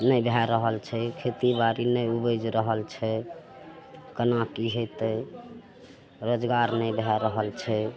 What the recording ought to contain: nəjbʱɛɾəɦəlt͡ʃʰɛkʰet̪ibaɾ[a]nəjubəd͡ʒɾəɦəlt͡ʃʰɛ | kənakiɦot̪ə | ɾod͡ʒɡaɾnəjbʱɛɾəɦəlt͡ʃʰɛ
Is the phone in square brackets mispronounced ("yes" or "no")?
yes